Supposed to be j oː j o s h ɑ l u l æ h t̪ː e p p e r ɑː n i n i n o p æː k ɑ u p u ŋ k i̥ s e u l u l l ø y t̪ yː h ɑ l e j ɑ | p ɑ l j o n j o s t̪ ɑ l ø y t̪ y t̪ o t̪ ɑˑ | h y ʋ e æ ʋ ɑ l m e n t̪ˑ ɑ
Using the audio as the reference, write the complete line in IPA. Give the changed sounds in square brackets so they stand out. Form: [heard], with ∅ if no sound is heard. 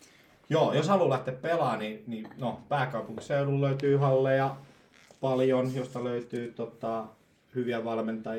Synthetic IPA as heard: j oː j o s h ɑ l u l æ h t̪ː e p p e [l] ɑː n i n i n o p æː k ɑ u p u ŋ k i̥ s e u l u l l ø y t̪ yː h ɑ [lː] e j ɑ | p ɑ l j o n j o s t̪ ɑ l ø y t̪ [yː] t̪ o t̪ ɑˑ | h y ʋ [i] æ ʋ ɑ l m e n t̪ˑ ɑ